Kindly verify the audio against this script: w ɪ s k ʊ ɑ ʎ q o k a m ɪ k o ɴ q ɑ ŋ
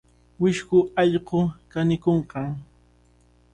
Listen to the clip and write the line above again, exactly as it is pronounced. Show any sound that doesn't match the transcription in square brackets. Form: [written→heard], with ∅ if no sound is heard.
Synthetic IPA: w ɪ [s→ʃ] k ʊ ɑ ʎ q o k a [m→n] ɪ k o ɴ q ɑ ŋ